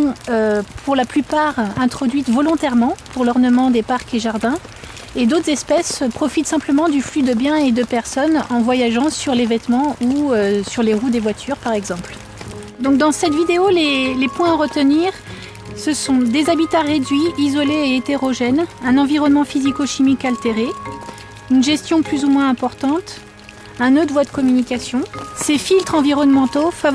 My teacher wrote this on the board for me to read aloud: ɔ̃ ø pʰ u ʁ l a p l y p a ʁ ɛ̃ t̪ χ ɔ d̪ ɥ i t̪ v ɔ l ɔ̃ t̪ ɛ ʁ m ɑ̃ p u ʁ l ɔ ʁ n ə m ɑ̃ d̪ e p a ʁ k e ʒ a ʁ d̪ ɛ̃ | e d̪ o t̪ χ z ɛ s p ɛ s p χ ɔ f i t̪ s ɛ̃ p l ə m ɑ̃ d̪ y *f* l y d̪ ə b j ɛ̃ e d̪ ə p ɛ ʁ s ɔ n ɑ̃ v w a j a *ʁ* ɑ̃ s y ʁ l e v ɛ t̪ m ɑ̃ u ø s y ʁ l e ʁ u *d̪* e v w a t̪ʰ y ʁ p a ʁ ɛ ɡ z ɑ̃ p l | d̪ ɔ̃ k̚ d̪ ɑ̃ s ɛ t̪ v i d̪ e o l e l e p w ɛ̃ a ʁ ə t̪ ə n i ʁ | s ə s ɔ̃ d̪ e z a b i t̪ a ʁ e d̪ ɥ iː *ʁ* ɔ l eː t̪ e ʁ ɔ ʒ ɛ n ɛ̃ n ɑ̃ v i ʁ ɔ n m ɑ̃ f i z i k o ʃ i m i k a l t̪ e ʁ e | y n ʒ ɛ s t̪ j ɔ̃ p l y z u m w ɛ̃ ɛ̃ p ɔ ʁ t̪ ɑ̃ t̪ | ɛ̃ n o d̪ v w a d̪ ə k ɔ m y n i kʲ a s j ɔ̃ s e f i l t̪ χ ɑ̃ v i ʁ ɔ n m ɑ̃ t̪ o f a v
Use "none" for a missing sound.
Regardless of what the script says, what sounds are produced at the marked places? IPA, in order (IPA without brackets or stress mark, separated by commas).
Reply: f, ʒ, d̪, z